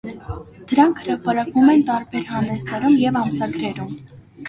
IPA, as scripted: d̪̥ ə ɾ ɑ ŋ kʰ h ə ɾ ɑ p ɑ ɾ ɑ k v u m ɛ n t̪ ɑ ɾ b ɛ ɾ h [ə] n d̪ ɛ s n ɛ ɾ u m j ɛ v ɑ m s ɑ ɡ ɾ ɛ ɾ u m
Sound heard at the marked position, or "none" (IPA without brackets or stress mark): ɑ